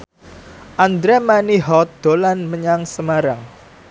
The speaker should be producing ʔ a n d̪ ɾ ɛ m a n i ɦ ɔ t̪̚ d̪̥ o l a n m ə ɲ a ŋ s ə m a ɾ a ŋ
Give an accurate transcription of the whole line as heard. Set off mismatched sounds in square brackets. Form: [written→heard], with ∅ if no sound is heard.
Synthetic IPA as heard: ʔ a n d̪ ɾ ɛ m a n i ɦ ɔ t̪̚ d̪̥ o l a n m ə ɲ a ŋ s ə m a ɾ a ŋ

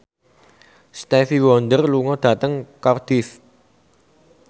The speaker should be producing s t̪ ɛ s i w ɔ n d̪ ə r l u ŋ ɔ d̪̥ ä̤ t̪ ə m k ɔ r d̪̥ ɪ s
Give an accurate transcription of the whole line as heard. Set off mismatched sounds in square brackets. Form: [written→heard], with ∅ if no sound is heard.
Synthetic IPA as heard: s t̪ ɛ [s→f] i w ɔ n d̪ ə r l u ŋ ɔ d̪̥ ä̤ t̪ ə [m→ŋ] k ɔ r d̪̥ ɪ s

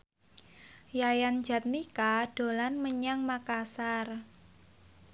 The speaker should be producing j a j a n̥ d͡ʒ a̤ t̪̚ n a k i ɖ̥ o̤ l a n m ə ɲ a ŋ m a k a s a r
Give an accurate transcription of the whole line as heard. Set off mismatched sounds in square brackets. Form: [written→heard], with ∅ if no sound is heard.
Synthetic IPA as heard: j a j a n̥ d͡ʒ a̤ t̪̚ n [a→i] k [i→a] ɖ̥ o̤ l a n m ə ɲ a ŋ m a k a s a r

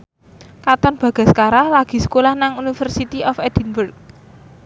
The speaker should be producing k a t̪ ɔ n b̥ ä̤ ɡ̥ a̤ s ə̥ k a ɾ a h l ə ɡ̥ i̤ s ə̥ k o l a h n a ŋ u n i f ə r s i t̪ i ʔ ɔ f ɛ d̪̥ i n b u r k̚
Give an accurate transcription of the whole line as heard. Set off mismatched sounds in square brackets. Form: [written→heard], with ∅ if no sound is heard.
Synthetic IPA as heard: k a t̪ ɔ n b̥ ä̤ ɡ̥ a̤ s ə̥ k a ɾ a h l [ə→a] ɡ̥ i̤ s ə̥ k o l a h n a ŋ u n i f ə r s i t̪ i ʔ ɔ f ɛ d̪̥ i n b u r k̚

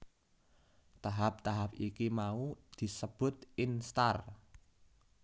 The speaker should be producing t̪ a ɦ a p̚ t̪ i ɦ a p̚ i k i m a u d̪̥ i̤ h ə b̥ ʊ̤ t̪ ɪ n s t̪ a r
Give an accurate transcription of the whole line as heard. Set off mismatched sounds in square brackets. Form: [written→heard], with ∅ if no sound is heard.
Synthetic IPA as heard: t̪ a ɦ a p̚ t̪ [i→a] ɦ a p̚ i k i m a u d̪̥ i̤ [h→s] ə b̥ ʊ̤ t̪ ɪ n s t̪ a r

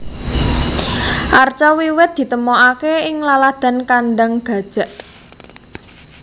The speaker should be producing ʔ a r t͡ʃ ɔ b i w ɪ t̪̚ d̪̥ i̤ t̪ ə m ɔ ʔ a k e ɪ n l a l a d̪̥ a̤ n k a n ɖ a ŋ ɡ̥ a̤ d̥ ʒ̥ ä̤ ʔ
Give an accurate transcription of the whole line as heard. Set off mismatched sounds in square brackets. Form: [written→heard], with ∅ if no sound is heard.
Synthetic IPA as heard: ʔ a r t͡ʃ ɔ [b→w] i w ɪ t̪̚ d̪̥ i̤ t̪ ə m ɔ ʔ a k e ɪ [n→ŋ] l a l a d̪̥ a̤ n k a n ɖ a ŋ ɡ̥ a̤ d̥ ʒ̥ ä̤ ʔ

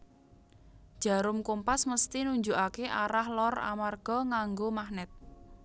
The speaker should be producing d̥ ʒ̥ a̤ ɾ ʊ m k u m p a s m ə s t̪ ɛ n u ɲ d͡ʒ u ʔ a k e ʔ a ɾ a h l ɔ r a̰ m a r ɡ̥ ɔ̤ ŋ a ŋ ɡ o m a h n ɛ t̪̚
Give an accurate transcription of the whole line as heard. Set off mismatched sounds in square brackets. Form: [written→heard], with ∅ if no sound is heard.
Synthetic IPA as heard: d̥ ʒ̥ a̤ ɾ ʊ m k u m p a s m ə s t̪ [ɛ→i] n u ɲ d͡ʒ u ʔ a k e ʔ a ɾ a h l ɔ r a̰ m a r ɡ̥ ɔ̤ ŋ a ŋ ɡ o m a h n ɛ t̪̚

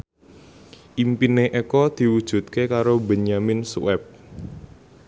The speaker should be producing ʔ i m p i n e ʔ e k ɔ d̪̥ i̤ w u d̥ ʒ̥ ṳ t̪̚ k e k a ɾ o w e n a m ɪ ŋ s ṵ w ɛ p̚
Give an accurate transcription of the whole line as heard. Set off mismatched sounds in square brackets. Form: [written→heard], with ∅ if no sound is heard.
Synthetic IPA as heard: ʔ i m p i n e ʔ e k ɔ d̪̥ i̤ w u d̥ ʒ̥ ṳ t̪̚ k e k a ɾ o [w→b] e [n→ɲ] a m ɪ [ŋ→n] s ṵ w ɛ p̚

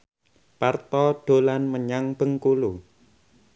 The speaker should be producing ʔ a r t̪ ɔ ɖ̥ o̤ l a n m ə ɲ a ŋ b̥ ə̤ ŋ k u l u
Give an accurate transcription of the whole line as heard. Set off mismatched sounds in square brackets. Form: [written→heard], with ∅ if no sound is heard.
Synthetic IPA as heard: [ʔ→p] a r t̪ ɔ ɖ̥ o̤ l a n m ə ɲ a ŋ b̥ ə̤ ŋ k u l u

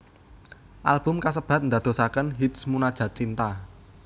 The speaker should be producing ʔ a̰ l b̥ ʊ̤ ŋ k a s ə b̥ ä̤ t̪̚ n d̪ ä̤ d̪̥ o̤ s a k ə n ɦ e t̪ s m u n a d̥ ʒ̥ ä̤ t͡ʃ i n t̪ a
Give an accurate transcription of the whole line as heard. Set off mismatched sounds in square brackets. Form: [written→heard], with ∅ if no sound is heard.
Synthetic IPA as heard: ʔ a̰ l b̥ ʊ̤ [ŋ→m] k a s ə b̥ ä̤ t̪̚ n d̪ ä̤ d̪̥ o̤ s a k ə n ɦ [e→i] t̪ s m u n a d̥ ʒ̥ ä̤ t͡ʃ i n t̪ a

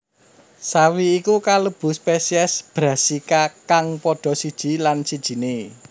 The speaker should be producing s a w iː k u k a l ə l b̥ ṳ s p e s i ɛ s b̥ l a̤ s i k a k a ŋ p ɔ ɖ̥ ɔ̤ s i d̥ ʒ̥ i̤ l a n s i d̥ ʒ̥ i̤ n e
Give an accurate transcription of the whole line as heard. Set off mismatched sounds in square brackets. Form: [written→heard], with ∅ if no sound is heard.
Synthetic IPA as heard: s a w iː k u k a l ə [l→∅] b̥ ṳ s p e s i ɛ s b̥ [l→ɾ] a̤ s i k a k a ŋ p ɔ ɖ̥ ɔ̤ s i d̥ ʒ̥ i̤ l a n s i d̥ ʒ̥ i̤ n e

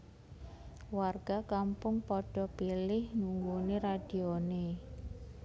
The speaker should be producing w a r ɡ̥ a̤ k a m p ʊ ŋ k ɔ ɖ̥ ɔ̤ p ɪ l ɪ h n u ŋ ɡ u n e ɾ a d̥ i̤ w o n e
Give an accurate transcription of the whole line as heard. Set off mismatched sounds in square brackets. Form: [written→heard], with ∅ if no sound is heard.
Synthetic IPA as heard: w a r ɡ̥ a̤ k a m p ʊ ŋ [k→p] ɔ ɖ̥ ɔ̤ p [ɪ→i] l ɪ h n u ŋ ɡ u n e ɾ a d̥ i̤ [w→∅] o n e

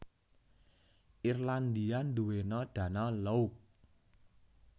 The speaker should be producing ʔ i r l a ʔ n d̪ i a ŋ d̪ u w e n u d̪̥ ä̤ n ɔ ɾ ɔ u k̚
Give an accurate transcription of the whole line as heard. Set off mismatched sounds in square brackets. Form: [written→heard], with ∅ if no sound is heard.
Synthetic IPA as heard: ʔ i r l a [ʔ→∅] n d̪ i a [ŋ→n] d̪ u w e n [u→ɔ] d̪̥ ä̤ n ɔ [ɾ→l] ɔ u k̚

